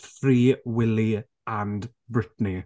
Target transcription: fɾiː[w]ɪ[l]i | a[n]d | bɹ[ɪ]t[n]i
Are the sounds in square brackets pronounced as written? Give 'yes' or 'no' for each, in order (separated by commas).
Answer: yes, yes, yes, yes, yes